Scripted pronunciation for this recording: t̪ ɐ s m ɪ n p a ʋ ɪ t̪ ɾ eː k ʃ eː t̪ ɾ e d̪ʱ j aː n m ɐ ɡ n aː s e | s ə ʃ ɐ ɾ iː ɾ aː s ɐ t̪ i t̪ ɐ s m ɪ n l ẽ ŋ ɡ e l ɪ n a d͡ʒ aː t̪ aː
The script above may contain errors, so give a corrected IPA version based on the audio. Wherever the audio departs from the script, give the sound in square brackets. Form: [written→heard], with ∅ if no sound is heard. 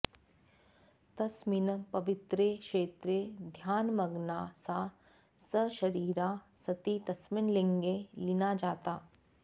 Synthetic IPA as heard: t̪ ɐ s m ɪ n p [a→ɐ] ʋ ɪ t̪ ɾ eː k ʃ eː t̪ ɾ e d̪ʱ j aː n m ɐ ɡ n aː s [e→a] | s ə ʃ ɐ ɾ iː ɾ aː s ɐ t̪ i t̪ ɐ s m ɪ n l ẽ ŋ ɡ e l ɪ n a d͡ʒ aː t̪ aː

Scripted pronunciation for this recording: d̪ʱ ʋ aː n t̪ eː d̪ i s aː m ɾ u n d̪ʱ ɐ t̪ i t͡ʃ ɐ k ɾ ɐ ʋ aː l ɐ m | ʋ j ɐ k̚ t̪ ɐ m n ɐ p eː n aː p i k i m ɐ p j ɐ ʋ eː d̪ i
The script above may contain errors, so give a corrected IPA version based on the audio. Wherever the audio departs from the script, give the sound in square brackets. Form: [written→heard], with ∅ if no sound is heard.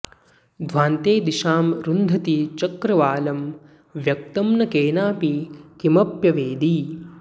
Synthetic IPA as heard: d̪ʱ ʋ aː n t̪ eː d̪ i [s→ʃ] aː m ɾ u n d̪ʱ ɐ t̪ i t͡ʃ ɐ k ɾ ɐ ʋ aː l ɐ m | ʋ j ɐ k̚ t̪ ɐ m n ɐ [p→k] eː n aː p i k i m ɐ p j ɐ ʋ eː d̪ i

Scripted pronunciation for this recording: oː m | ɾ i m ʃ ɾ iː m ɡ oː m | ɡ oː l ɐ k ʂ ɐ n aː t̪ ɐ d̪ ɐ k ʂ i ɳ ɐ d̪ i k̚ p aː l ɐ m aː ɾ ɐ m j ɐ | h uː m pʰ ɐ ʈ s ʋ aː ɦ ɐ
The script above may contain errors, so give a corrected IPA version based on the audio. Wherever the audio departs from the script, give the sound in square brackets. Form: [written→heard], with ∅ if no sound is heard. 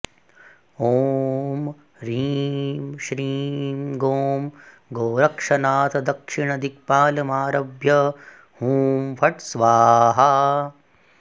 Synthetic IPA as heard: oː m | ɾ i m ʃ ɾ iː m ɡ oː m | ɡ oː [l→ɾ] ɐ k ʂ ɐ n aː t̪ ɐ d̪ ɐ k ʂ i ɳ ɐ d̪ i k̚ p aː l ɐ m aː ɾ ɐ [m→b] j ɐ | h uː m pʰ ɐ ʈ s ʋ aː ɦ ɐ

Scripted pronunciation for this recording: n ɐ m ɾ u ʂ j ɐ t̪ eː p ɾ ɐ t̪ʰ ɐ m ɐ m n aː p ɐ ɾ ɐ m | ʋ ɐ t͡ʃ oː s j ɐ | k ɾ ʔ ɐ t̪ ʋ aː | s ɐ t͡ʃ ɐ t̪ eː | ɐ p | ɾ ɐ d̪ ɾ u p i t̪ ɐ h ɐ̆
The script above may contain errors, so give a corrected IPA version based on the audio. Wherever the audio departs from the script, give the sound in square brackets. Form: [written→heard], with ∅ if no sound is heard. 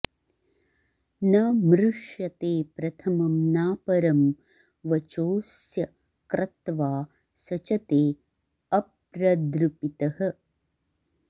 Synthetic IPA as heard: n ɐ m ɾ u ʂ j ɐ t̪ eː p ɾ ɐ t̪ʰ ɐ m ɐ m n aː p ɐ ɾ ɐ m | ʋ ɐ t͡ʃ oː s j ɐ | k ɾ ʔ ɐ t̪ ʋ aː | s ɐ t͡ʃ ɐ t̪ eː | ɐ p | ɾ ɐ d̪ ɾ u p i t̪ ɐ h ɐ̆

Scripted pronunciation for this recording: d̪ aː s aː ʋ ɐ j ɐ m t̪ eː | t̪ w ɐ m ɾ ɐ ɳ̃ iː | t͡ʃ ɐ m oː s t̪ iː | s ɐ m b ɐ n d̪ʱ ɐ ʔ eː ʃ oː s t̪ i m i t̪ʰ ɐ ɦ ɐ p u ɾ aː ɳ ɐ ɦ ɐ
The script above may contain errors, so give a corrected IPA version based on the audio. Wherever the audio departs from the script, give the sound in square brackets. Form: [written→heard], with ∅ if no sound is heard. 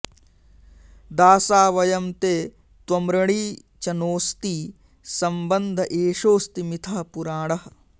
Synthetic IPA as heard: d̪ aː s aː ʋ ɐ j ɐ m t̪ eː | t̪ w ɐ m ɾ ɐ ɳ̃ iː | t͡ʃ ɐ [m→n] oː s t̪ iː | s ɐ m b ɐ n d̪ʱ ɐ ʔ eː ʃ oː s t̪ i m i t̪ʰ ɐ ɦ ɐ p u ɾ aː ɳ ɐ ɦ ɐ

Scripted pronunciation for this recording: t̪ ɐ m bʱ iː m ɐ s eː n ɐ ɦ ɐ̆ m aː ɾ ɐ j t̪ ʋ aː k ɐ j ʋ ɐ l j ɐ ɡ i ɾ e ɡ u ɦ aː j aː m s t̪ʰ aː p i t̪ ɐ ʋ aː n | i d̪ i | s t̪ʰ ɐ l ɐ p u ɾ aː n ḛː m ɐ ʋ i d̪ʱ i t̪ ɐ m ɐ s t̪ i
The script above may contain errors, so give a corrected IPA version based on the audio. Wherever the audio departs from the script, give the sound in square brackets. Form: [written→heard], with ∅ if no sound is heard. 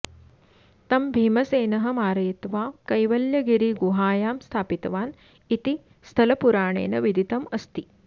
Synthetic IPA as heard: t̪ ɐ m bʱ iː m ɐ s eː n ɐ ɦ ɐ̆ m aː ɾ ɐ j t̪ ʋ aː k ɐ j ʋ ɐ l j ɐ ɡ i ɾ [e→i] ɡ u ɦ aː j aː m s t̪ʰ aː p i t̪ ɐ ʋ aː n | i [d̪→t̪] i | s t̪ʰ ɐ l ɐ p u ɾ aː [n→ɳ] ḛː [m→n] ɐ ʋ i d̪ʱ i t̪ ɐ m ɐ s t̪ i

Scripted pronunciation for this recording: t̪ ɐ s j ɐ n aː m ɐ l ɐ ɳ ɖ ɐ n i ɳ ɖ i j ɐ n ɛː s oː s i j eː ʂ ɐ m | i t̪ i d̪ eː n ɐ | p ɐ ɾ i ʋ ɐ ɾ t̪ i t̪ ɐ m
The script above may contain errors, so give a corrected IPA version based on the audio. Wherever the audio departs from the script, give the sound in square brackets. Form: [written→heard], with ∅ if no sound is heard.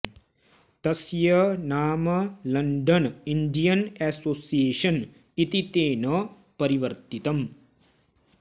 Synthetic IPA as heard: t̪ ɐ s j ɐ n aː m ɐ l ɐ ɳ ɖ ɐ n i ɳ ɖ i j ɐ n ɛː s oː s i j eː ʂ ɐ [m→n] | i t̪ i [d̪→t̪] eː n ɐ | p ɐ ɾ i ʋ ɐ ɾ t̪ i t̪ ɐ m

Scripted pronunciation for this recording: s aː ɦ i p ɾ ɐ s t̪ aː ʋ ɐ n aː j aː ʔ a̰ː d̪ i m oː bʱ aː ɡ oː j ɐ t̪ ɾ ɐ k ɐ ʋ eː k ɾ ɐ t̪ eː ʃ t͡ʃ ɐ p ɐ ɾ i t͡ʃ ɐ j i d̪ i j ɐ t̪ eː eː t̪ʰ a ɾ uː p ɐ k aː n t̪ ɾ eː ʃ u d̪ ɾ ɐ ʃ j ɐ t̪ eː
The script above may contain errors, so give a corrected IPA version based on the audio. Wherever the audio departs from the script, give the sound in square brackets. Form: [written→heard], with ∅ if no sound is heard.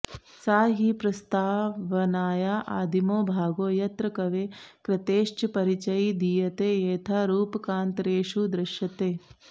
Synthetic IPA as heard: s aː ɦ i p ɾ ɐ s t̪ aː ʋ ɐ n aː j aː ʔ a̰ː d̪ i m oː bʱ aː ɡ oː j ɐ t̪ ɾ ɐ k ɐ ʋ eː k ɾ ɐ t̪ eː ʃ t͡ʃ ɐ p ɐ ɾ i t͡ʃ ɐ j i d̪ i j ɐ t̪ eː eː t̪ʰ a ɾ uː p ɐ k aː n t̪ ɾ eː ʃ u d̪ ɾ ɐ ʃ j ɐ t̪ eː

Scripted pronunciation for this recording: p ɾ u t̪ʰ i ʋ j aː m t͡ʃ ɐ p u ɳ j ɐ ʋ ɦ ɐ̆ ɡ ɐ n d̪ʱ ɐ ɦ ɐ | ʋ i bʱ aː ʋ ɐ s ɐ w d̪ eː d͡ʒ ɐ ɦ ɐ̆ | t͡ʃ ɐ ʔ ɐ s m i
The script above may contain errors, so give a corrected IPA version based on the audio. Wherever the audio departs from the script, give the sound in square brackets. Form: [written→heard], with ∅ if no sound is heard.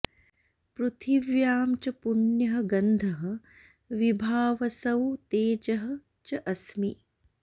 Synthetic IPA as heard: p ɾ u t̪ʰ i ʋ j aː m t͡ʃ ɐ p u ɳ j ɐ [ʋ→∅] ɦ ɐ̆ ɡ ɐ n d̪ʱ ɐ ɦ ɐ | ʋ i bʱ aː ʋ ɐ s ɐ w [d̪→t̪] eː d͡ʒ ɐ ɦ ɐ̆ | t͡ʃ ɐ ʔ ɐ s m i

